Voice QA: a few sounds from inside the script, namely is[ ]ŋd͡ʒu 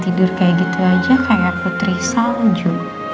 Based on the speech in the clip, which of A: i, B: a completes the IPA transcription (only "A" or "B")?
B